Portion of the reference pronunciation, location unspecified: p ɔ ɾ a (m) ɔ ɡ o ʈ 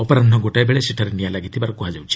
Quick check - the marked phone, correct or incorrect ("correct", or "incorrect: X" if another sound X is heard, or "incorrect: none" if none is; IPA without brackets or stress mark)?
incorrect: n